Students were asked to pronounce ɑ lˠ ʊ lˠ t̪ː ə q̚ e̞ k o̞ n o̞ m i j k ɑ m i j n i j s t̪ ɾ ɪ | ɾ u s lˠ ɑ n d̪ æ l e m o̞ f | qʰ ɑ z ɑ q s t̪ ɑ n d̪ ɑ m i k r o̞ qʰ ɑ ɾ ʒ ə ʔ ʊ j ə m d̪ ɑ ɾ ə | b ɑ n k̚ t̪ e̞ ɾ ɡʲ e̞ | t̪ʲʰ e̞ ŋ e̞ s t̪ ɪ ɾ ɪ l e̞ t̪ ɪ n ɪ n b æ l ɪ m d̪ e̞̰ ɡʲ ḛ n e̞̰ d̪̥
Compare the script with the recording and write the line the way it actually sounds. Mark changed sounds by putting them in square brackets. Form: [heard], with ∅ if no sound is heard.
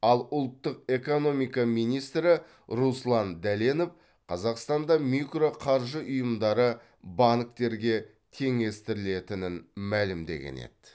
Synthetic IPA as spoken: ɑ lˠ ʊ lˠ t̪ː ə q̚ e̞ k o̞ n o̞ m i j k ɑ m i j n i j s t̪ ɾ ɪ | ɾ u s lˠ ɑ n d̪ æ l e [n] o̞ f | qʰ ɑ z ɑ q s t̪ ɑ n d̪ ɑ m i k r o̞ qʰ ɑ ɾ ʒ ə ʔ ʊ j ə m d̪ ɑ ɾ ə | b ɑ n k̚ t̪ e̞ ɾ ɡʲ e̞ | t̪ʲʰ e̞ ŋ e̞ s t̪ ɪ ɾ ɪ l e̞ t̪ ɪ n ɪ n [m] æ l ɪ m d̪ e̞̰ ɡʲ ḛ n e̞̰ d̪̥

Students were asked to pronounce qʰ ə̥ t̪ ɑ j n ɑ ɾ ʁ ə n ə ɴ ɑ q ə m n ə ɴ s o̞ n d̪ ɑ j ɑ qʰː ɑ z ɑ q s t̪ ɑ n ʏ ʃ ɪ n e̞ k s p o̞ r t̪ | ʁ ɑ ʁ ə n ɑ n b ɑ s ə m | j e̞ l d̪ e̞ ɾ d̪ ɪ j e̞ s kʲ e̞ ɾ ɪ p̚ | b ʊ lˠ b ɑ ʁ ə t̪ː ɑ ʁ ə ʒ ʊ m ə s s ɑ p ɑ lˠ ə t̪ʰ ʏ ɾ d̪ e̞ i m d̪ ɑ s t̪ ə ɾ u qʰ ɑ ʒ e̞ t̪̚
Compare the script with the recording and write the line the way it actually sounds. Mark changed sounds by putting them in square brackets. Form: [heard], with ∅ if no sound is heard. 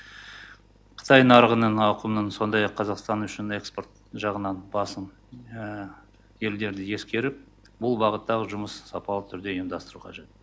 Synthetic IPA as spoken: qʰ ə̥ t̪ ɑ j n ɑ ɾ ʁ ə n ə ɴ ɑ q ə m n ə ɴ s o̞ n d̪ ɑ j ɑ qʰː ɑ z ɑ q s t̪ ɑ n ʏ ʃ ɪ n e̞ k s p o̞ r t̪ | [ʒ] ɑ ʁ ə n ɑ n b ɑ s ə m | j e̞ l d̪ e̞ ɾ d̪ ɪ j e̞ s kʲ e̞ ɾ ɪ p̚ | b ʊ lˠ b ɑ ʁ ə t̪ː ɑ ʁ ə ʒ ʊ m ə s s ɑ p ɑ lˠ ə t̪ʰ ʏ ɾ d̪ e̞ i m d̪ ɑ s t̪ ə ɾ u qʰ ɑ ʒ e̞ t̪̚

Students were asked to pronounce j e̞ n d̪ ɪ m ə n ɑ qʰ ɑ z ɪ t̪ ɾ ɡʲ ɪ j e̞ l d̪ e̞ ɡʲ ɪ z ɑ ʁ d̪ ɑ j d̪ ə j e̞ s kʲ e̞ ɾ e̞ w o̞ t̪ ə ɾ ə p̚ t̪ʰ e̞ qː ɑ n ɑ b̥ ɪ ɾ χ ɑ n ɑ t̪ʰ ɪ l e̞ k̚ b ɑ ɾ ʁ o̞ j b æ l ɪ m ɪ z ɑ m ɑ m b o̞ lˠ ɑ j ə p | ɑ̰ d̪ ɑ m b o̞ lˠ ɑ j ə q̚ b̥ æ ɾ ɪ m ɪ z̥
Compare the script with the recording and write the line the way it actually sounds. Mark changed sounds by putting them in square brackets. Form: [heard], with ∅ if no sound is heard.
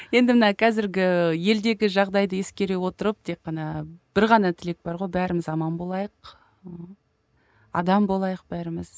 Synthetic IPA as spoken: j e̞ n d̪ ɪ m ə n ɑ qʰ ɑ z ɪ [∅] ɾ ɡʲ ɪ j e̞ l d̪ e̞ ɡʲ ɪ [ʒ] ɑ ʁ d̪ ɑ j d̪ ə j e̞ s kʲ e̞ ɾ e̞ w o̞ t̪ ə ɾ ə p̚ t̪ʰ e̞ qː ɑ n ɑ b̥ ɪ ɾ [ʁ] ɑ n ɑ t̪ʰ ɪ l e̞ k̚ b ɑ ɾ ʁ o̞ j b æ [ɾ] ɪ m ɪ z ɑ m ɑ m b o̞ lˠ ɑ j ə [q] | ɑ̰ d̪ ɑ m b o̞ lˠ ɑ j ə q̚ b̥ æ ɾ ɪ m ɪ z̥

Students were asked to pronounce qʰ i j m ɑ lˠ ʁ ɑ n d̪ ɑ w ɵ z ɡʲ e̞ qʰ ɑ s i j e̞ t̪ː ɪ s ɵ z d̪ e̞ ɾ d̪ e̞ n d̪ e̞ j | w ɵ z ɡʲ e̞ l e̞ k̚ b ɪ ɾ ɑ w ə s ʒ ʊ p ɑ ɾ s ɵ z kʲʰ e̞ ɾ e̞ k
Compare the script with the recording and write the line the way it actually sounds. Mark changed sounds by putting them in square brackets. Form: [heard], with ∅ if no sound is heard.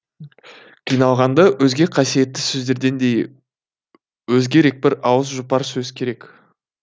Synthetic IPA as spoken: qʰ i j [n] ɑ lˠ ʁ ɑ n d̪ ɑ w ɵ z ɡʲ e̞ qʰ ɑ s i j e̞ t̪ː ɪ s ɵ z d̪ e̞ ɾ d̪ e̞ n d̪ e̞ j | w ɵ z ɡʲ e̞ [ɾ] e̞ k̚ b ɪ ɾ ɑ w ə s ʒ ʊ p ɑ ɾ s ɵ z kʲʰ e̞ ɾ e̞ k

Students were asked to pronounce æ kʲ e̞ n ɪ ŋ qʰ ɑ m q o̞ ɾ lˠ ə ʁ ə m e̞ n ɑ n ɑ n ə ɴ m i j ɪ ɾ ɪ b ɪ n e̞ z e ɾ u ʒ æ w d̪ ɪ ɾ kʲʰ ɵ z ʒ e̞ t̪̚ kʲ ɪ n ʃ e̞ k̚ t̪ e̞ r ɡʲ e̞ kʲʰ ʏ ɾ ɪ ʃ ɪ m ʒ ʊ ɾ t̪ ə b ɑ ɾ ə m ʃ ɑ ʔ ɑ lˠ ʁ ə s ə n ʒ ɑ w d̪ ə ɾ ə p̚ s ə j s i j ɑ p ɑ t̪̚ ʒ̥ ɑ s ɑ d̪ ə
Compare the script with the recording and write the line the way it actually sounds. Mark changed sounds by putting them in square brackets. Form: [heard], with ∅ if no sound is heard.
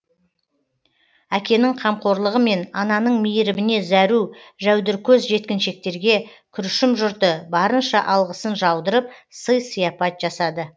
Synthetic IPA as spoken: æ kʲ e̞ n ɪ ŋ qʰ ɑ m q o̞ ɾ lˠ ə ʁ ə m e̞ n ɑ n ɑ n ə ɴ m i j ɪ ɾ ɪ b ɪ n e̞ z [æ] ɾ u ʒ æ w d̪ ɪ ɾ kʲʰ ɵ z ʒ e̞ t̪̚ kʲ ɪ n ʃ e̞ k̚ t̪ e̞ [ɾ] ɡʲ e̞ kʲʰ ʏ ɾ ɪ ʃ ɪ m ʒ ʊ ɾ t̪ ə b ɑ ɾ ə [n] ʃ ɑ ʔ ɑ lˠ ʁ ə s ə n ʒ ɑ w d̪ ə ɾ ə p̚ s ə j s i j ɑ p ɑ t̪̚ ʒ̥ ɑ s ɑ d̪ ə

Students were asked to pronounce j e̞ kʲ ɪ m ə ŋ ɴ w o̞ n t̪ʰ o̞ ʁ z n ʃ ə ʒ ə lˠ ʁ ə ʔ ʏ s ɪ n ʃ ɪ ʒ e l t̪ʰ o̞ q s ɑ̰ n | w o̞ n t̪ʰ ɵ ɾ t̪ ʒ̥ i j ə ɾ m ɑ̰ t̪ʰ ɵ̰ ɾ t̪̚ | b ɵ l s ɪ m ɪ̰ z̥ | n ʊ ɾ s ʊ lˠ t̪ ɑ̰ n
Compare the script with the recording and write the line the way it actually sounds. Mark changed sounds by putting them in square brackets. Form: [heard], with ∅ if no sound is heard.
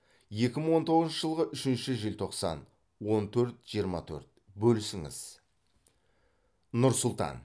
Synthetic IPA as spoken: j e̞ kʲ ɪ m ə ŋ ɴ w o̞ n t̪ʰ o̞ ʁ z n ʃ ə ʒ ə lˠ ʁ ə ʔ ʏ [ʃ] ɪ n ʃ ɪ ʒ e l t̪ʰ o̞ q s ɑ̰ n | w o̞ n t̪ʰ ɵ ɾ t̪ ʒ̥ i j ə ɾ m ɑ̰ t̪ʰ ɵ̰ ɾ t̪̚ | b ɵ l s ɪ [ŋ] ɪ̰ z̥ | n ʊ ɾ s ʊ lˠ t̪ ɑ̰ n

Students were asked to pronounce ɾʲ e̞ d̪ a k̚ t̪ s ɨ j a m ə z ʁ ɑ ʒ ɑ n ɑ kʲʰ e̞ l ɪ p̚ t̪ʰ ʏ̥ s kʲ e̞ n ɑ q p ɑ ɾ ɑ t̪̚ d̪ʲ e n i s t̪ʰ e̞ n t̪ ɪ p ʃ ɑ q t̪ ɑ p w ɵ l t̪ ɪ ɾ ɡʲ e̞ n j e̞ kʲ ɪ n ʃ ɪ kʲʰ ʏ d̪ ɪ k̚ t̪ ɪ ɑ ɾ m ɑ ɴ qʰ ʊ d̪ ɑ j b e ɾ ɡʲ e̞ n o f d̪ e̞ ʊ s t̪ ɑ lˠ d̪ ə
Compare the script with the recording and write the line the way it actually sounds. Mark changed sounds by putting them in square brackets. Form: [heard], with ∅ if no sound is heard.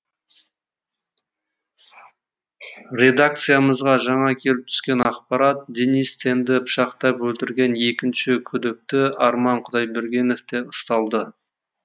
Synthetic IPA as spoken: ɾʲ e̞ d̪ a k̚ t̪ s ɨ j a m ə z ʁ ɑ ʒ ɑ [ɴ] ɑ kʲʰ e̞ l ɪ p̚ t̪ʰ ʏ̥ s kʲ e̞ n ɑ q p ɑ ɾ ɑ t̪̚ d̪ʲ e n i s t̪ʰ e̞ n [d̪] ɪ p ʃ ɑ q t̪ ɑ p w ɵ l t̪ ɪ ɾ ɡʲ e̞ n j e̞ kʲ ɪ n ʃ ɪ kʲʰ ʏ d̪ ɪ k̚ t̪ ɪ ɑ ɾ m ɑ ɴ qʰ ʊ d̪ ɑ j b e ɾ ɡʲ e̞ n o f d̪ e̞ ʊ s t̪ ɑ lˠ d̪ ə

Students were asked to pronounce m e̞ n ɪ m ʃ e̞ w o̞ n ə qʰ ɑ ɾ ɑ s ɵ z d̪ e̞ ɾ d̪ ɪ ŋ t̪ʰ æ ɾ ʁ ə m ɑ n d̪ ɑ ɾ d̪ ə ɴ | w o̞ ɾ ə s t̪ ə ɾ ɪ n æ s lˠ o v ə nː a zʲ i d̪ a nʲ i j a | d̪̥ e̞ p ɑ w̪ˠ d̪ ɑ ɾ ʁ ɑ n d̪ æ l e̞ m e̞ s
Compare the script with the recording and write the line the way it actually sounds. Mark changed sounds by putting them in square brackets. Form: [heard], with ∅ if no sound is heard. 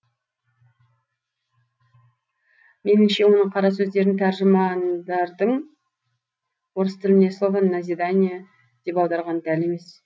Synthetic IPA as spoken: m e̞ n ɪ m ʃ e̞ w o̞ n ə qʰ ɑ ɾ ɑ s ɵ z d̪ e̞ ɾ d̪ ɪ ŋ t̪ʰ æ ɾ [ʒ] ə m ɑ n d̪ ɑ ɾ d̪ ə ɴ | w o̞ ɾ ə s t̪ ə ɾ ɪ n [e] s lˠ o v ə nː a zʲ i d̪ a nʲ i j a | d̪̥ e̞ p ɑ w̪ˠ d̪ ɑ ɾ ʁ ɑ n d̪ æ l e̞ m e̞ s

